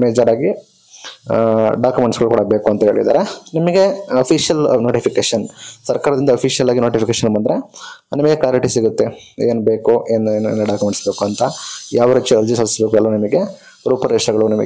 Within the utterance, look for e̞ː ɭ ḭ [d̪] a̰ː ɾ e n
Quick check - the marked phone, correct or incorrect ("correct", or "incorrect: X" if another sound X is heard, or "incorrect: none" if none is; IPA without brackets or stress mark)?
correct